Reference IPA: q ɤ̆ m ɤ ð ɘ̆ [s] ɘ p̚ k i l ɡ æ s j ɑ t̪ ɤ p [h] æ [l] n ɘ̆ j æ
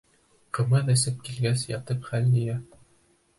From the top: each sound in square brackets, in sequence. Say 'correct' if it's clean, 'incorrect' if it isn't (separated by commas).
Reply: correct, incorrect, correct